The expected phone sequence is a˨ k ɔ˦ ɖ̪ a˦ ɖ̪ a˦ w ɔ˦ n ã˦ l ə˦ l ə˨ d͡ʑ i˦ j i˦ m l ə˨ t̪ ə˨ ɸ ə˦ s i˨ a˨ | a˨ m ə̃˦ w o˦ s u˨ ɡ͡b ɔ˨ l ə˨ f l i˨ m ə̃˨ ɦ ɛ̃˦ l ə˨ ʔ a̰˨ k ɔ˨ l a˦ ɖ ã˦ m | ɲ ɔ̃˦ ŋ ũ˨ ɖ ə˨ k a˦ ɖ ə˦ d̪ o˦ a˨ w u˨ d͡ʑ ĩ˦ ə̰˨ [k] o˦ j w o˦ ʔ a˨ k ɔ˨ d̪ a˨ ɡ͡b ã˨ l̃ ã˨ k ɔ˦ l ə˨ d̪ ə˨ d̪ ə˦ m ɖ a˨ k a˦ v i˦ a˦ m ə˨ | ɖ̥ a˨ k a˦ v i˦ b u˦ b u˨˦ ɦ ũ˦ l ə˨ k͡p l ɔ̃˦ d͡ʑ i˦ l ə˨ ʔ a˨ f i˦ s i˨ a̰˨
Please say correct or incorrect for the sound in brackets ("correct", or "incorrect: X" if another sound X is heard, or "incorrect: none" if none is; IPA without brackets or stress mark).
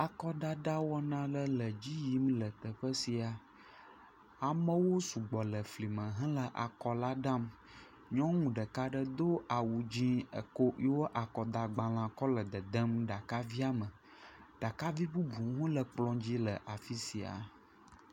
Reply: correct